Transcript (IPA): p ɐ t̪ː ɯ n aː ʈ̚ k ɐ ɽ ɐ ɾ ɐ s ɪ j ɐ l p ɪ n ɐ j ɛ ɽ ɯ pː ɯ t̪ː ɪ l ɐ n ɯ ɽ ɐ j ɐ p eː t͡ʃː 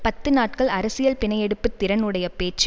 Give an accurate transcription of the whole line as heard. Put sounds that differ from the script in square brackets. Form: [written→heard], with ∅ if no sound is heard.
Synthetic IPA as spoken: p ɐ t̪ː ɯ n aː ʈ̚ k ɐ [ɽ→ɭ] ɐ ɾ ɐ s ɪ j ɐ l p ɪ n ɐ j ɛ ɽ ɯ pː ɯ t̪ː ɪ [l→ɾ] ɐ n ɯ ɽ ɐ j ɐ p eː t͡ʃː